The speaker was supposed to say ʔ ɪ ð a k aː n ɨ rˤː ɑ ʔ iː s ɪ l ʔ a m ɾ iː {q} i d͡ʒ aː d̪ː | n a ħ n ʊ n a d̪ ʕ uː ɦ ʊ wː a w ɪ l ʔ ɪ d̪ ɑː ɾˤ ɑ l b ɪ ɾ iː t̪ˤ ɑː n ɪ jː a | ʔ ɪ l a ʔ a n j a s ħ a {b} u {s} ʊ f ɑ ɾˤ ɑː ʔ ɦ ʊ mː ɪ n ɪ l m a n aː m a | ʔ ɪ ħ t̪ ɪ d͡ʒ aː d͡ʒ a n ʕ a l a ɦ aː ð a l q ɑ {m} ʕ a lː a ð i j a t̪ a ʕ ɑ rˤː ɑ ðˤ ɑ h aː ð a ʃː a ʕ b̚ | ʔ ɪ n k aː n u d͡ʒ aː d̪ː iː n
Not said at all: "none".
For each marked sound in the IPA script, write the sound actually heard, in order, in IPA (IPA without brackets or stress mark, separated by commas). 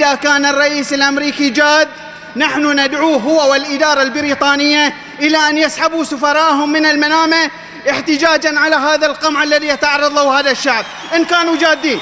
k, b, s, m